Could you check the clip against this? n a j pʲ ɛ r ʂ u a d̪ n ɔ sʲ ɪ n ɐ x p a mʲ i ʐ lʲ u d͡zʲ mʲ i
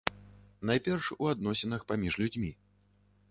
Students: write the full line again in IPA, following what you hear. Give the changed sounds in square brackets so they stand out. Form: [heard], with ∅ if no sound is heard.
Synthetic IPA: n a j pʲ ɛ r ʂ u a d̪ n ɔ sʲ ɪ n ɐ x p a mʲ i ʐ lʲ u d͡zʲ mʲ i